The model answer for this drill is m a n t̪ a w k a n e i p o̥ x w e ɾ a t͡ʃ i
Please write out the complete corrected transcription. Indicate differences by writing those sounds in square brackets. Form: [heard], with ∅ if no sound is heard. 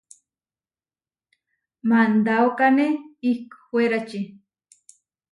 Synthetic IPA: m a n [d̪] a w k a n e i [k] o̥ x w e ɾ a t͡ʃ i